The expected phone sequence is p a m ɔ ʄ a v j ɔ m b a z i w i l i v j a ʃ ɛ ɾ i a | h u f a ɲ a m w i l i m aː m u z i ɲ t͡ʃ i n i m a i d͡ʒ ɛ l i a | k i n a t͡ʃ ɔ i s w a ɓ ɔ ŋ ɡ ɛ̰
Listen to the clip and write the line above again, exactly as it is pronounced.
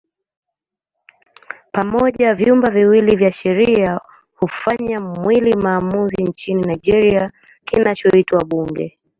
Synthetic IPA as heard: p a m ɔ ʄ a v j u m b a v i w i l i v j a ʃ ɛ ɾ i a | h u f a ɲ a m w i l i m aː m u z i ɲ t͡ʃ i n i n a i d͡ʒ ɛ ɾ i a | k i n a t͡ʃ ɔ i t w a ɓ u ŋ ɡ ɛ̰